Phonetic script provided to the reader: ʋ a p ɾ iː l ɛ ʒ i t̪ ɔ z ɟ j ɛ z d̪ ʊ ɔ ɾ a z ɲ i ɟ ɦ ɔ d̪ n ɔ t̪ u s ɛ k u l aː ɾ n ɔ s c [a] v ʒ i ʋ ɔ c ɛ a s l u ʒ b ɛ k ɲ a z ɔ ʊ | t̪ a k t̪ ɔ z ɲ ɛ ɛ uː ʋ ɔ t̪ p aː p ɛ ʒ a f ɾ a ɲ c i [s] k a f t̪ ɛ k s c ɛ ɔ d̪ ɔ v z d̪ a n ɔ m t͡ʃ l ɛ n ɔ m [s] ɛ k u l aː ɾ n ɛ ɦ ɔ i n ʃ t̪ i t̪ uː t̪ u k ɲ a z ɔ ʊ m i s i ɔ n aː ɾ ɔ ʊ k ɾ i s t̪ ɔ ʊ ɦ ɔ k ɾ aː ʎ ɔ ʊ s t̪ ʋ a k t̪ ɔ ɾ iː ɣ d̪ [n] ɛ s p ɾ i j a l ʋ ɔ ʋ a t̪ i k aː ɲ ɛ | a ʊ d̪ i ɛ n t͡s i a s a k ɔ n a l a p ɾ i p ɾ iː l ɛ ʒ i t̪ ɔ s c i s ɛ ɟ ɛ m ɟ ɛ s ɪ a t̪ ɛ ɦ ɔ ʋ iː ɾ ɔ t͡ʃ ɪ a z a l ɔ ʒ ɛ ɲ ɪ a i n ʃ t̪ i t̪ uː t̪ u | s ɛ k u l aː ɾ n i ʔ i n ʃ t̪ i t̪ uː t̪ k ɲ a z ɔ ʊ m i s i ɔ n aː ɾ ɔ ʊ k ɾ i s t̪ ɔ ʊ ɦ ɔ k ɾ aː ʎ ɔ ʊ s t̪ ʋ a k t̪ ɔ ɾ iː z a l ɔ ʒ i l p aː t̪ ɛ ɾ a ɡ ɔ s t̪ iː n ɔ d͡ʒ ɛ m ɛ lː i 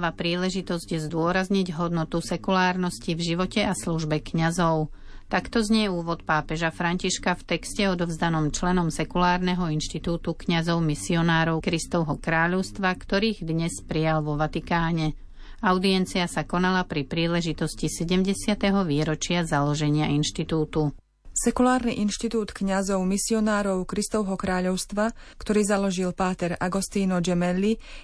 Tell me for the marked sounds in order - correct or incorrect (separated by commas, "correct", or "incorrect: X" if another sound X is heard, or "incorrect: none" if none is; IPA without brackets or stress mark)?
incorrect: i, incorrect: ʃ, correct, incorrect: ɲ